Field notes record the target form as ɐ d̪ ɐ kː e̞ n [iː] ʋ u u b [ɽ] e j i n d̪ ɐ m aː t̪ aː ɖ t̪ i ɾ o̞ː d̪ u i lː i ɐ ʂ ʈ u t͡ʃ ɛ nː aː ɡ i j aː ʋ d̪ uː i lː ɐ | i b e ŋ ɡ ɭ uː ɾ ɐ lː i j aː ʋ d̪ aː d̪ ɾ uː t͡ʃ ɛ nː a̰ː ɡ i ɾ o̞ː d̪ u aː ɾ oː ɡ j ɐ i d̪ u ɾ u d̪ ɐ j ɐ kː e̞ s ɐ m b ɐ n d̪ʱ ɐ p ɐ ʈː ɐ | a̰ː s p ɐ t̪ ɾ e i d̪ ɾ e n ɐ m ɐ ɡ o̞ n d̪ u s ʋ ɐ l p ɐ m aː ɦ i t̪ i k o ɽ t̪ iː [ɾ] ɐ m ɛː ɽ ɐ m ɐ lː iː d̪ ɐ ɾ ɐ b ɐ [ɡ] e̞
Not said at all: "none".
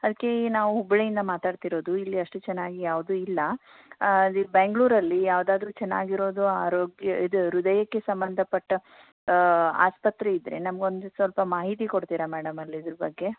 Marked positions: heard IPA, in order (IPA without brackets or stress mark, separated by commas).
aː, ɭ, ɾ, ɡː